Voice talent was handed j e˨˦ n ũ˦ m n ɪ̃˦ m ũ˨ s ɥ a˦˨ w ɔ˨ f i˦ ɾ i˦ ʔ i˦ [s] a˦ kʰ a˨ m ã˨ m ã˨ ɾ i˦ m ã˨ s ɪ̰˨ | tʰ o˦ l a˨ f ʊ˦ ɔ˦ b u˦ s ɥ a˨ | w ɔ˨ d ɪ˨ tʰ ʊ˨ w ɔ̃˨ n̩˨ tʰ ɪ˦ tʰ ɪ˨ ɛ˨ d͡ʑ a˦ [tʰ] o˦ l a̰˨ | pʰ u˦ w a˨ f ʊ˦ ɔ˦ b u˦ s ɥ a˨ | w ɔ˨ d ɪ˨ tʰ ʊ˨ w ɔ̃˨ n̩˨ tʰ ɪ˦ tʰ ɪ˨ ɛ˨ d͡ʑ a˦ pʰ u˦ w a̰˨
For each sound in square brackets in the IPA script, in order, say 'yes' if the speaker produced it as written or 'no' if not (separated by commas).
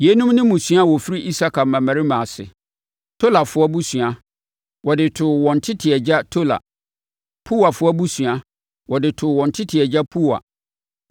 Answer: yes, yes